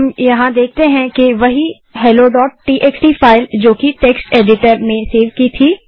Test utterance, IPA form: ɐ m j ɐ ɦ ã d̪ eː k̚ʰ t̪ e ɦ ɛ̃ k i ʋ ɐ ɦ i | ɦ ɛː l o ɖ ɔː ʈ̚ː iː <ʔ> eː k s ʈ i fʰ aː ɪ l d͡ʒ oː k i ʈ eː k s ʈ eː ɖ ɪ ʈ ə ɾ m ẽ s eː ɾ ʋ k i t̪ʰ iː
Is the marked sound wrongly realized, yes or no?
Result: no